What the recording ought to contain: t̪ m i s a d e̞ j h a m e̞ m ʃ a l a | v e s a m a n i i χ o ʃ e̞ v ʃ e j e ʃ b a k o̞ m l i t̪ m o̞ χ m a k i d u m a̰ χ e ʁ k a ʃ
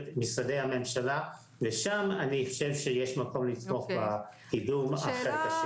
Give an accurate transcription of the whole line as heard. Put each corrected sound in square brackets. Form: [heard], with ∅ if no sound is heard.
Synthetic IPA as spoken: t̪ m i s a d e̞ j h a m e̞ m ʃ a l a | v e [ʃ] a m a n i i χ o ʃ e̞ v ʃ e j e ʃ [m] a k o̞ m l i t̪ m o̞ χ [b] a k i d u m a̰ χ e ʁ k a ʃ

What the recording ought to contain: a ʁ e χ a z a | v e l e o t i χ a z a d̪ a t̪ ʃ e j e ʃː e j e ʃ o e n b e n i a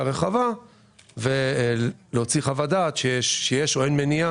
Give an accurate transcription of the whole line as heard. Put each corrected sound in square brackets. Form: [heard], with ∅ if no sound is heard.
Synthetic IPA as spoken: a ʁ e χ a [v] a | v e l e o [t͡s] i χ a [v] a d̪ a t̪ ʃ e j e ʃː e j e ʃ o e n [m] e n i a

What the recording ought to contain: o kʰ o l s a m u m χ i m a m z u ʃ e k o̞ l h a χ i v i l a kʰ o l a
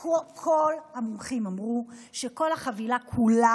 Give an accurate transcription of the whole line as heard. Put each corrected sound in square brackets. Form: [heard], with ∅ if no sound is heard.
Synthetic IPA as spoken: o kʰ o l [h] a m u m χ i m a m [ʁ] u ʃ e k o̞ l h a χ [a] v i l a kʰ [u] l a

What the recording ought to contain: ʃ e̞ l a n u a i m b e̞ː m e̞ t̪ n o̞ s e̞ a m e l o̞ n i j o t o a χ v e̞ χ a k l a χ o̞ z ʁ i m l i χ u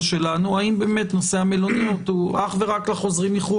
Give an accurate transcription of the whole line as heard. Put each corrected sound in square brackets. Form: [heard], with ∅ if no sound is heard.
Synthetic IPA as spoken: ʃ e̞ l a n u a i m b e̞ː m e̞ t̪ n o̞ s e̞ a m e l o̞ n i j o t [u] a χ v e̞ [ʁ] a k l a χ o̞ z ʁ i m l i χ u

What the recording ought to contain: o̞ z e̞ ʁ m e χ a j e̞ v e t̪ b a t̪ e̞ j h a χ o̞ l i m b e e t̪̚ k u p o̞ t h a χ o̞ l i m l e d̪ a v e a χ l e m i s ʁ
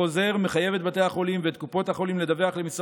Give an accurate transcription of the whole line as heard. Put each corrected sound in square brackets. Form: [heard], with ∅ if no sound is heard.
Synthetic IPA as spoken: o̞ z e̞ ʁ m e χ a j e̞ v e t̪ b a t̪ e̞ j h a χ o̞ l i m [v] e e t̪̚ k u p o̞ t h a χ o̞ l i m l e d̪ a v e a χ l e m i s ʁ

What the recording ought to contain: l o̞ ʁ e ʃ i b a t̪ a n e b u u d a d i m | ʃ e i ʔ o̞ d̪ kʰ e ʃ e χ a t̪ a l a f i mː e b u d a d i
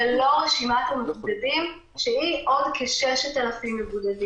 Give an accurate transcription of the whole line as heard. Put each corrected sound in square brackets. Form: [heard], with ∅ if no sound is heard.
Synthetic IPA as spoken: l o̞ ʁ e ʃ i [m] a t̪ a [m] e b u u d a d i m | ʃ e i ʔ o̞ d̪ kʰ e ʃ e [ʃ] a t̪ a l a f i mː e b u d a d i

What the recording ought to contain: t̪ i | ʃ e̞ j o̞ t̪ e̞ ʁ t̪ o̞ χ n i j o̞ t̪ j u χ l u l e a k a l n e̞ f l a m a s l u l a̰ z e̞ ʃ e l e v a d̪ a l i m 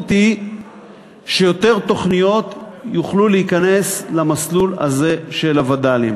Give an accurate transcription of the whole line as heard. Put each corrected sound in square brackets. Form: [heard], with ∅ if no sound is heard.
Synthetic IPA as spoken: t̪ i | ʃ e̞ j o̞ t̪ e̞ ʁ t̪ o̞ χ n i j o̞ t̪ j u χ l u l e [i] k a [∅] n e̞ [s] l a m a s l u l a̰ z e̞ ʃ e l [a] v a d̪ a l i m

